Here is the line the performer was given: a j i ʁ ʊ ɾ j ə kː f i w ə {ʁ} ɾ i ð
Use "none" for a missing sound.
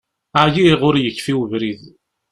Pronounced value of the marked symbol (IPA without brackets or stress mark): v